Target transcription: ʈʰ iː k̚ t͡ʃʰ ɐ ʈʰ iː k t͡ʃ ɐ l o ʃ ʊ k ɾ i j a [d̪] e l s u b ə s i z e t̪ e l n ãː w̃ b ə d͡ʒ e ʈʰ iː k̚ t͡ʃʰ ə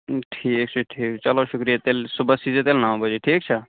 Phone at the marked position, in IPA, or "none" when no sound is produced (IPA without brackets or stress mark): t̪